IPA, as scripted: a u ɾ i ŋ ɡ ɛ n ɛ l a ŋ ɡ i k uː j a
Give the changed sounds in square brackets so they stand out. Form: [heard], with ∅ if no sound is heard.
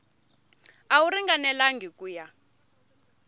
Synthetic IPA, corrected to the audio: a u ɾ i ŋ ɡ [a] n ɛ l a ŋ ɡ i k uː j a